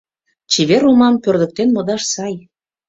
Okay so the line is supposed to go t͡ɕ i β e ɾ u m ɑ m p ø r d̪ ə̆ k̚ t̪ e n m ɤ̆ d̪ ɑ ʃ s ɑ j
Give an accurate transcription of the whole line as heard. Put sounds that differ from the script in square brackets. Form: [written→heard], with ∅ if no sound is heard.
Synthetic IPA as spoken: t͡ɕ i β e ɾ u m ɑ m p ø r d̪ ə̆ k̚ t̪ e n m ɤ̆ d̪ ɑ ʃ s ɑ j